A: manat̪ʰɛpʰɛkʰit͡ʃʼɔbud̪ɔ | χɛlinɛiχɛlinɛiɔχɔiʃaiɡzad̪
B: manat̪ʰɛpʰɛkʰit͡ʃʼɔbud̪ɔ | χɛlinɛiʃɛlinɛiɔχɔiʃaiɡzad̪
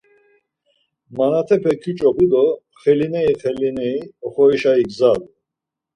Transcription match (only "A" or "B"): A